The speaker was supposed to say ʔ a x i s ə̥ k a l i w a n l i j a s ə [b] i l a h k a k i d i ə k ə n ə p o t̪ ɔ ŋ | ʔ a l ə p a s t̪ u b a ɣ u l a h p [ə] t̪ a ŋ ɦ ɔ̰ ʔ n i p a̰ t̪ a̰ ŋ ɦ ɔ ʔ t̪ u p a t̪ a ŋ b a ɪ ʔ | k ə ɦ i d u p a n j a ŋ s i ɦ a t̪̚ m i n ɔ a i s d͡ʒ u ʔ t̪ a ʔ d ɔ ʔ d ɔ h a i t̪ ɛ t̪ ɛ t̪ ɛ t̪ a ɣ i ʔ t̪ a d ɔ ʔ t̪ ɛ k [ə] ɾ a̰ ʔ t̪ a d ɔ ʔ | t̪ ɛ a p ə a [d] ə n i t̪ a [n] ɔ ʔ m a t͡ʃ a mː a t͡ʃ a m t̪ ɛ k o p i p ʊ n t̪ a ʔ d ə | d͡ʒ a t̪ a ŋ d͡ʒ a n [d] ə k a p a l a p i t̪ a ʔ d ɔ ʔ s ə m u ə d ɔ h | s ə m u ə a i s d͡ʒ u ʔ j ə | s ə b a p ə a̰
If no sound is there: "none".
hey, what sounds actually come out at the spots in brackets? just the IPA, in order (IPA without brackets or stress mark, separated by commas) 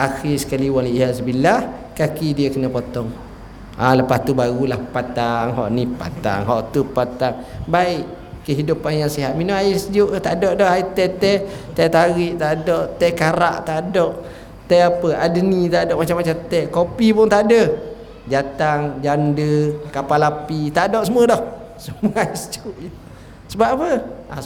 b, a, a, d, d, d